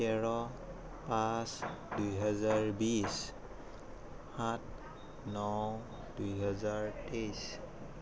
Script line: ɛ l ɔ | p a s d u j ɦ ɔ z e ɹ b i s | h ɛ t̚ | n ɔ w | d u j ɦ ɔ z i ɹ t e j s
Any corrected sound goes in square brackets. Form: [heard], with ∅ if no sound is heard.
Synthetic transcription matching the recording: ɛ [ɹ] ɔ | p a s d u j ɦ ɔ z [a] ɹ b i s | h [a] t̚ | n ɔ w | d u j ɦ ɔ z [a] ɹ t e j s